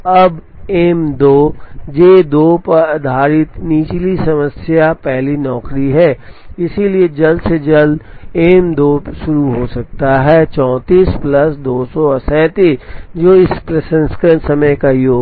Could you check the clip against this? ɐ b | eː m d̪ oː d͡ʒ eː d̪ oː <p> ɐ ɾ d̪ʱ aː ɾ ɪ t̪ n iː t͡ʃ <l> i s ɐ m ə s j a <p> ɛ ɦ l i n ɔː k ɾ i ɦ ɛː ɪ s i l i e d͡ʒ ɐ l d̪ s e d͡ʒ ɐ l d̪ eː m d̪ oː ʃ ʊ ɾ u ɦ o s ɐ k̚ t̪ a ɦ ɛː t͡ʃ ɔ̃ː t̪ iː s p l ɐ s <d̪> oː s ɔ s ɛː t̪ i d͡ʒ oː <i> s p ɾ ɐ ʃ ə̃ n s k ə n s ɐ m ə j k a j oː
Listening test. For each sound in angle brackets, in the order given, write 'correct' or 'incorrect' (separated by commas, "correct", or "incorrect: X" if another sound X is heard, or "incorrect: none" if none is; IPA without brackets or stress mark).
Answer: correct, correct, correct, correct, incorrect: ɪ